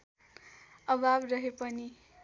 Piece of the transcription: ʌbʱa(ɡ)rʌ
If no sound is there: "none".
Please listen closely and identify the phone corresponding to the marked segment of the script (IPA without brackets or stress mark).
b